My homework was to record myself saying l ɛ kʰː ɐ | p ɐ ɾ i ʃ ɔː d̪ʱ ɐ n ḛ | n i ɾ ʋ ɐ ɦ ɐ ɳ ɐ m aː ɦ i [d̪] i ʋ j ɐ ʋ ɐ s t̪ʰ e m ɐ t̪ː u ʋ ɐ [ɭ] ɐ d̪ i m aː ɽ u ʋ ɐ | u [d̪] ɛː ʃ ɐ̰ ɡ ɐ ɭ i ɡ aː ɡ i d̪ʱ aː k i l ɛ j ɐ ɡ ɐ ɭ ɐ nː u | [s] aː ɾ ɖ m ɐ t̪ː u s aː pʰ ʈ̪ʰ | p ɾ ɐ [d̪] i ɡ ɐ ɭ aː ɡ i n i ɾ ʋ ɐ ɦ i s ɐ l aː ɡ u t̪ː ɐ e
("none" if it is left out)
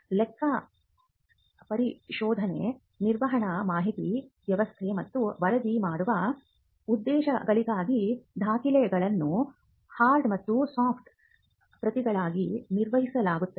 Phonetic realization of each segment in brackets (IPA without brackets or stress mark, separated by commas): t̪, ɾ, d̪ː, h, t̪